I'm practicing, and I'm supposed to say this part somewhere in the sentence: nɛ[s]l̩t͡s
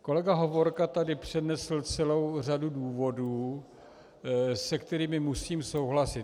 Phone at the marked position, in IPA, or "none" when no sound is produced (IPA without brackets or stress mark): s